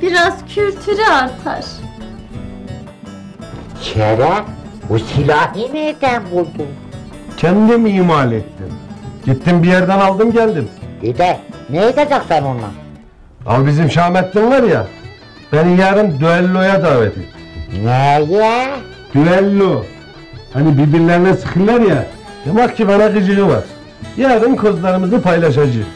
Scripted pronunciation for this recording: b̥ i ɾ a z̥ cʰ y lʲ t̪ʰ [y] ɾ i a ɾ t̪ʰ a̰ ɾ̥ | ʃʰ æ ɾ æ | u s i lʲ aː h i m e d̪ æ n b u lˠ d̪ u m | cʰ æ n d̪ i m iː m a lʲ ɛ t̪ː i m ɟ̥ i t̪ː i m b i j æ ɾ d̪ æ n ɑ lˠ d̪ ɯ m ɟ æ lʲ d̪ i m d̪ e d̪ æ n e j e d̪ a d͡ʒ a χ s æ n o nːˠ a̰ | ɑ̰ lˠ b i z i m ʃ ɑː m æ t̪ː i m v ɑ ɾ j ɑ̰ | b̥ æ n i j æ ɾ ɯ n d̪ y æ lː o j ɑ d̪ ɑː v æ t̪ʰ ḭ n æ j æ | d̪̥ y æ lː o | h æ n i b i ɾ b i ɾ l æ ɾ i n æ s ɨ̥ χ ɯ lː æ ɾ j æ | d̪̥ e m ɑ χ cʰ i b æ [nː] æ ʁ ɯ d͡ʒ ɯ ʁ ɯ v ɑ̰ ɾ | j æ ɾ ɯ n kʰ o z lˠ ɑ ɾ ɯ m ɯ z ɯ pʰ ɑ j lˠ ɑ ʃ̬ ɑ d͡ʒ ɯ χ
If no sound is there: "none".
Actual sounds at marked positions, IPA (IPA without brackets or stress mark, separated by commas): y, n